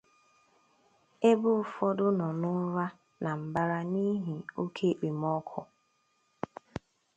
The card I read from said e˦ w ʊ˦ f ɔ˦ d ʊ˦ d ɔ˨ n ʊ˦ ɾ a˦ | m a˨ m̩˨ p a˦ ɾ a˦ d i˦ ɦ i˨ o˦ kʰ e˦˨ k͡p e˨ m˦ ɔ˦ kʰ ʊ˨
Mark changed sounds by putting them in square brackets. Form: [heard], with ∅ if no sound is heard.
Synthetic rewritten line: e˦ [b] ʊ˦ f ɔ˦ d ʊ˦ [n] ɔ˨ n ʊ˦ ɾ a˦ | [n] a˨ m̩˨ [b] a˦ ɾ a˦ [n] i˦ ɦ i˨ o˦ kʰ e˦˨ k͡p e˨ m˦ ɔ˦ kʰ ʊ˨